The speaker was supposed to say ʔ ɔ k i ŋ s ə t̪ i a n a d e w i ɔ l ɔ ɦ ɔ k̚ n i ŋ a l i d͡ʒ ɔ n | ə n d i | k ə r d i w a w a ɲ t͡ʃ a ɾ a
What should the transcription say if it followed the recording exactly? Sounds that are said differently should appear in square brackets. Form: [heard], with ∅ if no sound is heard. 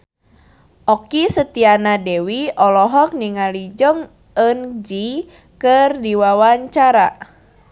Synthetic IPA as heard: ʔ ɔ k i [∅] s ə t̪ i a n a d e w i ɔ l ɔ ɦ ɔ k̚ n i ŋ a l i d͡ʒ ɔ [ŋ] | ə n [d͡ʒ] i | k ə r d i w a w a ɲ t͡ʃ a ɾ a